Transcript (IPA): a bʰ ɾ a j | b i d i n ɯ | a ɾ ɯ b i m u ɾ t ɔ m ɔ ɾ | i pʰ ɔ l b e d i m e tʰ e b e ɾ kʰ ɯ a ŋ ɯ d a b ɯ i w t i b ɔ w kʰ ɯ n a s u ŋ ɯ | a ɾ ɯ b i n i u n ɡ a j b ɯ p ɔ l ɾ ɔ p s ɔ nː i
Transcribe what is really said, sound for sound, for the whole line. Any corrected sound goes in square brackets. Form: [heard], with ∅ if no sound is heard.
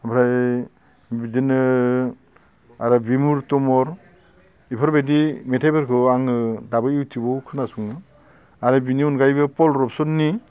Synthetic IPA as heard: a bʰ ɾ a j | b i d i n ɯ | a ɾ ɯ b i m u ɾ t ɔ m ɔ ɾ | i pʰ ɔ [ɾ] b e d i m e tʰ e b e ɾ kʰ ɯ a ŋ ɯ d a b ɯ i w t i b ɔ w kʰ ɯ n a s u ŋ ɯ | a ɾ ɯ b i n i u n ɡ a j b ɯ p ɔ l ɾ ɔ p s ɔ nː i